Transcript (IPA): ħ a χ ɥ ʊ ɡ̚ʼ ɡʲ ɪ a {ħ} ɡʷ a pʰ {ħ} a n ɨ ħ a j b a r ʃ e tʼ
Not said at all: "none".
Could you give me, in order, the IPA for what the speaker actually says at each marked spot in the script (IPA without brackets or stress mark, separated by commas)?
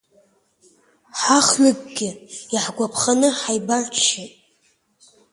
ħ, χ